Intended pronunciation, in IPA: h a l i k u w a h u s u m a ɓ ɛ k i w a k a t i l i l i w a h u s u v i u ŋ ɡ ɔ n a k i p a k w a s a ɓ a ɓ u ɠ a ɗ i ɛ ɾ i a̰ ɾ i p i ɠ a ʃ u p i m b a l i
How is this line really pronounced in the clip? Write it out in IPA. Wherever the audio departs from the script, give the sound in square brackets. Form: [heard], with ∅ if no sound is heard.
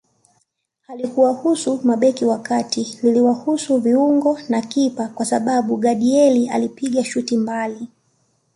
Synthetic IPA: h a l i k u w a h u s u m a ɓ ɛ k i w a k a t i l i l i w a h u s u v i u ŋ ɡ ɔ n a k i p a k w a s a ɓ a ɓ u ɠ a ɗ i ɛ [l] i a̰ [l] i p i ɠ a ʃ u [t] i m b a l i